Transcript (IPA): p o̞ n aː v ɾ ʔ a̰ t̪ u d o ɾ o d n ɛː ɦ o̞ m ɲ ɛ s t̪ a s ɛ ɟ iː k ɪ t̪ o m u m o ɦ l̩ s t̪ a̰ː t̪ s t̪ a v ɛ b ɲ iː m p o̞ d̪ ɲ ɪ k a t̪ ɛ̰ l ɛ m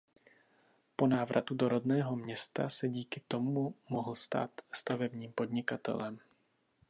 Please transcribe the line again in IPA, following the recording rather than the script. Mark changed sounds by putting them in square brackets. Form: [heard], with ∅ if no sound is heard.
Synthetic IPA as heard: p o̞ n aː v ɾ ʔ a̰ t̪ u d o ɾ o d n ɛː ɦ o̞ m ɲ ɛ s t̪ a s ɛ ɟ iː k ɪ t̪ o m u m o ɦ l̩ s t̪ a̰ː t̪ s t̪ a v ɛ b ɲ iː m p o̞ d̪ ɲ ɪ k a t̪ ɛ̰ l ɛ m